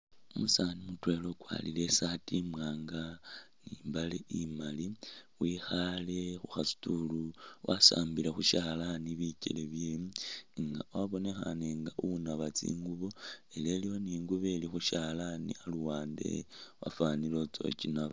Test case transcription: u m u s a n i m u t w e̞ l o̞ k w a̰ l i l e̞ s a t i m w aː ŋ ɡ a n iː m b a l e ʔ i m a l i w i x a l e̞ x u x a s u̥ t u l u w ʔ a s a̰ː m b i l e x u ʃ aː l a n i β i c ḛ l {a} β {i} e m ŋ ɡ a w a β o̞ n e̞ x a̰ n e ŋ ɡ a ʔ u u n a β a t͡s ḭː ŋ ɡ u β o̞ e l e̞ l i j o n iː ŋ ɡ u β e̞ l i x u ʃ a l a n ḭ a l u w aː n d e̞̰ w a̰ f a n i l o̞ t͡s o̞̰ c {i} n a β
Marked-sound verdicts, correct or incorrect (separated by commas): incorrect, incorrect, correct